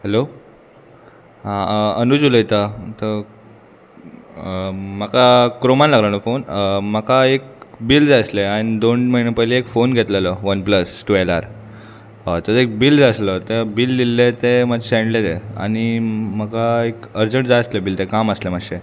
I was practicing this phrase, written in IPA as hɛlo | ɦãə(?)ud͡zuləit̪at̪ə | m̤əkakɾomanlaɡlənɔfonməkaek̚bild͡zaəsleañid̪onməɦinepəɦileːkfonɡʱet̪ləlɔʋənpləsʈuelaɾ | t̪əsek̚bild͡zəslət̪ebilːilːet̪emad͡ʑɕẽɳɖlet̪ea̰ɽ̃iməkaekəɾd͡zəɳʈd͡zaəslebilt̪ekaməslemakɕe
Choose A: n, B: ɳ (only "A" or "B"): A